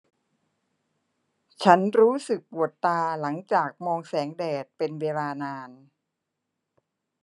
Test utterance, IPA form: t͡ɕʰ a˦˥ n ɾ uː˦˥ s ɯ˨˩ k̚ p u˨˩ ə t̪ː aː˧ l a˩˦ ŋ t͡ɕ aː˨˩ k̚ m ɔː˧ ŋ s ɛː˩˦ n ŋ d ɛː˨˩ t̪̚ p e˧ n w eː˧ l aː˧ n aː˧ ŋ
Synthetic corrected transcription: t͡ɕʰ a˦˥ n ɾ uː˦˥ s ɯ˨˩ k̚ p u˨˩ ə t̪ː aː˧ l a˩˦ ŋ t͡ɕ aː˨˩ k̚ m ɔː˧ ŋ s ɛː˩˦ ŋ d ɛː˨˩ t̪̚ p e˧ n w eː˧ l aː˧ n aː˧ n